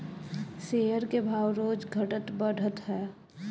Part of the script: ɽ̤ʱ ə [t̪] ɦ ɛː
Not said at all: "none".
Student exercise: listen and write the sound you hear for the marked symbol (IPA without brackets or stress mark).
t̪